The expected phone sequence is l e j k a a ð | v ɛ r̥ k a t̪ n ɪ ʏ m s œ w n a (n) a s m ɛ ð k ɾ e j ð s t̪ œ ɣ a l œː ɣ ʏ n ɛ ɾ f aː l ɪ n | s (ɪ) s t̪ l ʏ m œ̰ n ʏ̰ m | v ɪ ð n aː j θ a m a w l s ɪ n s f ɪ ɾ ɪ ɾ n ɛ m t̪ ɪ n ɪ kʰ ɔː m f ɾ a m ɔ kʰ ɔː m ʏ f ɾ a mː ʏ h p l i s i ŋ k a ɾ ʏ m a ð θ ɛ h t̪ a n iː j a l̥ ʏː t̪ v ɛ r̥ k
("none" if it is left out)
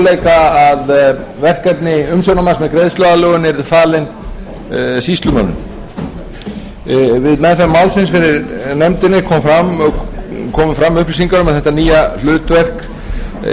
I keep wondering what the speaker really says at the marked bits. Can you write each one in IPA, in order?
m, i

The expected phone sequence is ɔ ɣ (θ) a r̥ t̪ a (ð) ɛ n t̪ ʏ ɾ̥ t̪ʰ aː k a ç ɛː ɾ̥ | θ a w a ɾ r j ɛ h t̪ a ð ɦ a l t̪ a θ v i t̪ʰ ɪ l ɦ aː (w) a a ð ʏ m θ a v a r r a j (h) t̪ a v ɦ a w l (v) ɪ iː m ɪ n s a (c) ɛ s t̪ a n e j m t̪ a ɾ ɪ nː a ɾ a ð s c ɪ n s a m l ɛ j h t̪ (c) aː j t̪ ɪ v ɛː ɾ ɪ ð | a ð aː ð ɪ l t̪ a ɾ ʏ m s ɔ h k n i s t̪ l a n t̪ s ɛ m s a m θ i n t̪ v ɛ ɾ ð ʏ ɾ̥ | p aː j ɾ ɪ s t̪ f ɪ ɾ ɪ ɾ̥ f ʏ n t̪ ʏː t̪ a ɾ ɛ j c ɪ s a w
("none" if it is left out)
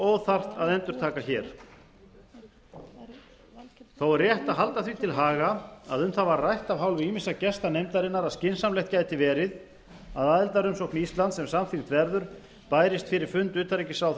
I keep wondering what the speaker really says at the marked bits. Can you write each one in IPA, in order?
θ, ð, ɣ, h, v, c, c

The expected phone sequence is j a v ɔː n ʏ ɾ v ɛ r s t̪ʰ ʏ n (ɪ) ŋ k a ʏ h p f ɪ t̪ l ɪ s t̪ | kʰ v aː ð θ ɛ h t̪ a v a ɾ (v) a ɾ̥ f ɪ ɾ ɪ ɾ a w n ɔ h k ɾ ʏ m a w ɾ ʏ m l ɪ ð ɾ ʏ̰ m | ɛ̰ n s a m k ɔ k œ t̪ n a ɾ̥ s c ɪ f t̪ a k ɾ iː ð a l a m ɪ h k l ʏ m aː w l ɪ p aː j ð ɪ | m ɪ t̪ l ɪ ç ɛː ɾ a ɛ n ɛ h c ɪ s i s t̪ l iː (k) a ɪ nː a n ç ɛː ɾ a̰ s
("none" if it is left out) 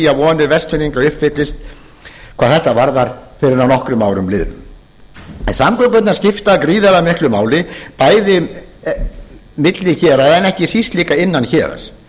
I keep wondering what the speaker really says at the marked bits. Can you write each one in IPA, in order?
i, ð, k

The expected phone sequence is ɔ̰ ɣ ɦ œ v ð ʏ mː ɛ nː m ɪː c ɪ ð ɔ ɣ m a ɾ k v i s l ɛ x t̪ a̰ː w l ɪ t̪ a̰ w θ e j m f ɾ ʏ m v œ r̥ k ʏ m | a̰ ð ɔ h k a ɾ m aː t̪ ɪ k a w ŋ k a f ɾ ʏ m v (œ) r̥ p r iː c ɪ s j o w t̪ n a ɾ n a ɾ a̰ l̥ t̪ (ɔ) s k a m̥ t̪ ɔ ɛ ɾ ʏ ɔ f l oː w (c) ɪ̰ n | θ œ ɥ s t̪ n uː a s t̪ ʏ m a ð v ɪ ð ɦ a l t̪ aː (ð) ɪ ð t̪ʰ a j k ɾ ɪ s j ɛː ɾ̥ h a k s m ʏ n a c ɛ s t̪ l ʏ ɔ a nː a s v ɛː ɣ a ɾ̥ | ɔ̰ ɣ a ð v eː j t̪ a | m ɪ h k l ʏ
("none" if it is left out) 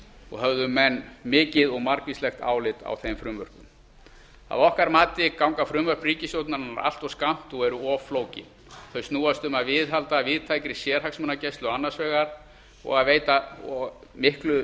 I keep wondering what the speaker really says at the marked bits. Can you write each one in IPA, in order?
œ, ɔ, c, v

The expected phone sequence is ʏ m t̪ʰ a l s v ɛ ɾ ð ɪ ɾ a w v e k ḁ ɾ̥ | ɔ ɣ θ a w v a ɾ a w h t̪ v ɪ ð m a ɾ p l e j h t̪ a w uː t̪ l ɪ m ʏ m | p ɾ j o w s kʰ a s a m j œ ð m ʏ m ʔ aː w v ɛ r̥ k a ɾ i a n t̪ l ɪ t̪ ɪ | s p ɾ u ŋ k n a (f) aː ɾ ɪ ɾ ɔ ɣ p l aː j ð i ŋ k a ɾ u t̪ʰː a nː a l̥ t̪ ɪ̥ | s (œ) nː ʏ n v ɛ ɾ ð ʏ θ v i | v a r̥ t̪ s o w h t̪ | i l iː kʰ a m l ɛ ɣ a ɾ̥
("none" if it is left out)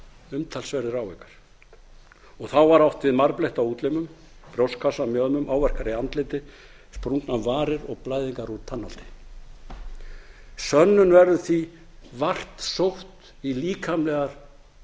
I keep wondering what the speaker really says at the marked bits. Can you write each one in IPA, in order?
v, œ

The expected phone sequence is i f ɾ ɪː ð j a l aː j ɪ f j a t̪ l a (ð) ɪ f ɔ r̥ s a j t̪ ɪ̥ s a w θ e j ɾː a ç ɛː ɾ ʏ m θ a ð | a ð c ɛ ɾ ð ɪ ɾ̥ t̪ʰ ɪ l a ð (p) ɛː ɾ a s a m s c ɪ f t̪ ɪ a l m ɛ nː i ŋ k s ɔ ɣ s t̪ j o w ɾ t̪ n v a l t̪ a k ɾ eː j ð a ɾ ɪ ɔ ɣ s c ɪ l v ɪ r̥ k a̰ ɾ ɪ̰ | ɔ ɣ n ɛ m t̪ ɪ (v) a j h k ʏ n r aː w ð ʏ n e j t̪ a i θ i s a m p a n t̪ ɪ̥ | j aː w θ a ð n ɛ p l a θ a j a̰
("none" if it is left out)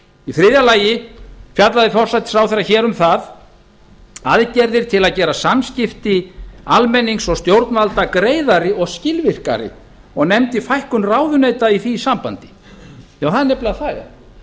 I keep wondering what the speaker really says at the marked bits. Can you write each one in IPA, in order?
ð, c, f

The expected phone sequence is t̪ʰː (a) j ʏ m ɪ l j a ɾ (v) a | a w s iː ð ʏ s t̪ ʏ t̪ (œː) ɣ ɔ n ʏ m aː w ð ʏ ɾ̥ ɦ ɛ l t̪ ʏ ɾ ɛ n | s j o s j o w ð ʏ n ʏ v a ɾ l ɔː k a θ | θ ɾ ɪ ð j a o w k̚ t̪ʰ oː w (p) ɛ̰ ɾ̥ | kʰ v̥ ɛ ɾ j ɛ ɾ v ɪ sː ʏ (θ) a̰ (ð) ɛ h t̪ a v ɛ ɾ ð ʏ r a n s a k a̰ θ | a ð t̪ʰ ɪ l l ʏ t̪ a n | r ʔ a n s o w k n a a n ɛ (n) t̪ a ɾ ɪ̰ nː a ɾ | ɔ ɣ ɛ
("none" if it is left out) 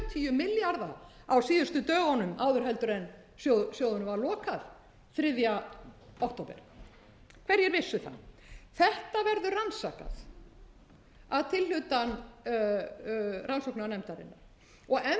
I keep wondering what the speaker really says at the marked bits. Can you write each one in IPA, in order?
i, ð, œː, p, θ, θ, m

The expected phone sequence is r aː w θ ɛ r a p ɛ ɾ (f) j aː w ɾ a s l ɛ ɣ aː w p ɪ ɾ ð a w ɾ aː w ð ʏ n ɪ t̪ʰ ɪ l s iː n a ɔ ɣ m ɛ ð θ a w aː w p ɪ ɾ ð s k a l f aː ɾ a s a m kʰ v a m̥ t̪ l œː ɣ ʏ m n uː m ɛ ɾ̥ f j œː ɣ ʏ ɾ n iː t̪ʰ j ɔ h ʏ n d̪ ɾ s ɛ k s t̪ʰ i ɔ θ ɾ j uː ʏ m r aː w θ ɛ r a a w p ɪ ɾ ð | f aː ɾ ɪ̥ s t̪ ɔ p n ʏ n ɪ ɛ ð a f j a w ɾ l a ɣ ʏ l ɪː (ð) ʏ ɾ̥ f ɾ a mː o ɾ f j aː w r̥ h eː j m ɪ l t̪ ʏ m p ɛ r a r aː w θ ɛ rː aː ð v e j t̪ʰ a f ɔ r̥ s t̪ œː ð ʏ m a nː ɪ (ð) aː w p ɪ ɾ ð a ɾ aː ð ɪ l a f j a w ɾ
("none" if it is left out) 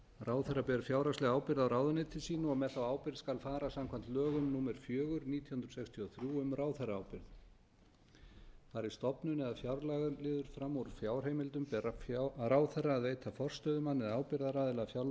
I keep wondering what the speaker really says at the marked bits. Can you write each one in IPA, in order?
f, ð, ð

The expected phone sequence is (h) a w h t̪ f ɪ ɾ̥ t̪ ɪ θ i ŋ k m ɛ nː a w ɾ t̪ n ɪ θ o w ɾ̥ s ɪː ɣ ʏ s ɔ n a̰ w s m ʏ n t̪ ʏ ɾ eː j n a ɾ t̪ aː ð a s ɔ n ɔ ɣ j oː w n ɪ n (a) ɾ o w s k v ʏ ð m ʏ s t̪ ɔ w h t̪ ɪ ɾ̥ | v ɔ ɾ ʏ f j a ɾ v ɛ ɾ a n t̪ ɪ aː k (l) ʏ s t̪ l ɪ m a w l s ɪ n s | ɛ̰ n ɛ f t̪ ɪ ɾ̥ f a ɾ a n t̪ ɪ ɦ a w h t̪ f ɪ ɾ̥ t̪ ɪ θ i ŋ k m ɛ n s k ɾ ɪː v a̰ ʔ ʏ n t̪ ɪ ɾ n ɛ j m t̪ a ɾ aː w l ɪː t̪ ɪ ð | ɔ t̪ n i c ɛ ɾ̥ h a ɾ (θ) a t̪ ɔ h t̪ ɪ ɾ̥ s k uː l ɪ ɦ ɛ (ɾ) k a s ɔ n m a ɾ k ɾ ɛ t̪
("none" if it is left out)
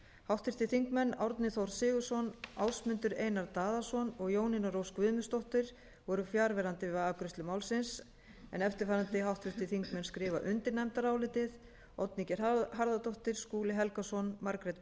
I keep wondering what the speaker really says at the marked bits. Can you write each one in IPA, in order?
h, a, ɾ, ð, l

